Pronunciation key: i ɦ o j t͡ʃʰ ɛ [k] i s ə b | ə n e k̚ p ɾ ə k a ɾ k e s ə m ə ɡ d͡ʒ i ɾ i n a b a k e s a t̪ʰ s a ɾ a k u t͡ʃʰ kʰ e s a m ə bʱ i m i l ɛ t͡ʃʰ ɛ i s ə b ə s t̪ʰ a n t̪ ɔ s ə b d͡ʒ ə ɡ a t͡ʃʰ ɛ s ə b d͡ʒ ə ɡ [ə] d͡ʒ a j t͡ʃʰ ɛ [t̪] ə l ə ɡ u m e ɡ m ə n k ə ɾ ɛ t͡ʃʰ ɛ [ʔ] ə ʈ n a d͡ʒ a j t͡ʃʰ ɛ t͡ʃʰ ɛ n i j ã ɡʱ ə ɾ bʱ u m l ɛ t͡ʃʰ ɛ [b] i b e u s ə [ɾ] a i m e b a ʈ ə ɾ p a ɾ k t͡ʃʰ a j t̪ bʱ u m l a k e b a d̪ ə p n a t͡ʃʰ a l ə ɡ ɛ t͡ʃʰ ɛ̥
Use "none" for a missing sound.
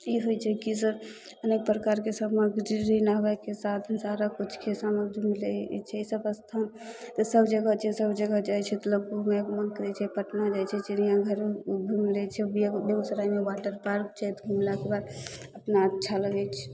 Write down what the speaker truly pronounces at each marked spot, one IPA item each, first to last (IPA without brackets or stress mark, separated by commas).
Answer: k, a, t̪, p, b, ɾ